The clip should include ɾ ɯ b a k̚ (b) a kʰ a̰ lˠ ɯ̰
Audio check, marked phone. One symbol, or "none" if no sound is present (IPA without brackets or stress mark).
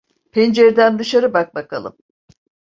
b